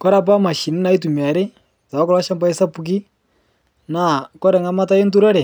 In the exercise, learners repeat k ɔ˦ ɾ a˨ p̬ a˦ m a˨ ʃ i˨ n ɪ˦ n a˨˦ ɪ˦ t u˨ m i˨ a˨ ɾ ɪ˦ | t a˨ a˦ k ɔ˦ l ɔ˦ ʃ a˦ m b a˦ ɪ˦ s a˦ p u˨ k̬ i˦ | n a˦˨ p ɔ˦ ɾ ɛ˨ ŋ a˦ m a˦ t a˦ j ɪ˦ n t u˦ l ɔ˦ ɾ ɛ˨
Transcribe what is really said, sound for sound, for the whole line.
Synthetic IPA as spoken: k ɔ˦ ɾ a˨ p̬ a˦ m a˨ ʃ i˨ n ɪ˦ n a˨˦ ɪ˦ t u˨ m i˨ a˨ ɾ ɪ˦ | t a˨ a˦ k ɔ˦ l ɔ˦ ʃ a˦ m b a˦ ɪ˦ s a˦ p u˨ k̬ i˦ | n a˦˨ k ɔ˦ ɾ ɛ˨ ŋ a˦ m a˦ t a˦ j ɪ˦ n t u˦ ɾ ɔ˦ ɾ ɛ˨